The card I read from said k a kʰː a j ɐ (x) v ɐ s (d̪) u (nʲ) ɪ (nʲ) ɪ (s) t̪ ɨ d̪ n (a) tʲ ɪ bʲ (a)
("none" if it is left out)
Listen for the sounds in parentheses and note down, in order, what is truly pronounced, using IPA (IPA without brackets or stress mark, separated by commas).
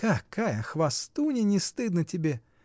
x, t̪, nʲ, nʲ, s, ə, e